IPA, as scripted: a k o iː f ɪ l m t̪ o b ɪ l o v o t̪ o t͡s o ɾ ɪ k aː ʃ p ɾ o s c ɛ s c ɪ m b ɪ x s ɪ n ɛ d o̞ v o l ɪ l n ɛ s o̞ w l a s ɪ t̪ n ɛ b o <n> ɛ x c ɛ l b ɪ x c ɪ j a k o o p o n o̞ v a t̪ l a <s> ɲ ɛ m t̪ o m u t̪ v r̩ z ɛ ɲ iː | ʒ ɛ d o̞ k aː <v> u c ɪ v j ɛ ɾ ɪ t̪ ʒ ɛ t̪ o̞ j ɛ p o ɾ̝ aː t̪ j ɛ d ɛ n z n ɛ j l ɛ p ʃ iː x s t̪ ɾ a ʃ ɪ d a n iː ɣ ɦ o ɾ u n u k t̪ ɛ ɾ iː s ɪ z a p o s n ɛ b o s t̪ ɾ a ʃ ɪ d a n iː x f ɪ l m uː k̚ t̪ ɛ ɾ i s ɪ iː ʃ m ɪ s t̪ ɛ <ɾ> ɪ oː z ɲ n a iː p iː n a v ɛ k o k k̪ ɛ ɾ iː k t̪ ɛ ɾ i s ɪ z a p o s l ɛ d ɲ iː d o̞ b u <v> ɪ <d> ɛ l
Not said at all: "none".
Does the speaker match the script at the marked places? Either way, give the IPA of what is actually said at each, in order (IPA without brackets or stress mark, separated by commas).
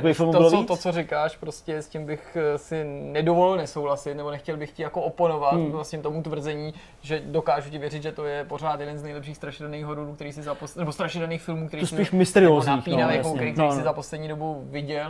n, s, ʒ, ɾ, v, ɟ